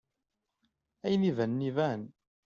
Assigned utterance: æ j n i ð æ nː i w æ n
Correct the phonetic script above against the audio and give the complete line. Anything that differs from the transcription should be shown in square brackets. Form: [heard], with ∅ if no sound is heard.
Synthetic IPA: æ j n i [v] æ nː i [v] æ n